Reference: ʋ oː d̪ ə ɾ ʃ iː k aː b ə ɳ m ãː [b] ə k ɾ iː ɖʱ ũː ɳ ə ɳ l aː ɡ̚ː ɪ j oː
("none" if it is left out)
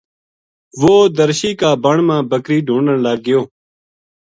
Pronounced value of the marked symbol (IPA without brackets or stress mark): b